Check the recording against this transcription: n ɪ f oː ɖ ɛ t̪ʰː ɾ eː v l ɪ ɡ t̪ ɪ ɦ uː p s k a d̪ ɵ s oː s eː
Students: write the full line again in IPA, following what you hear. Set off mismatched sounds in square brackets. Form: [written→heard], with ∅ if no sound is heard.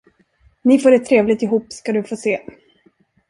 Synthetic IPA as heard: n ɪ f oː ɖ ɛ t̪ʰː ɾ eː v l ɪ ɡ t̪ ɪ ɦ uː p s k a d̪ ɵ [s→f] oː s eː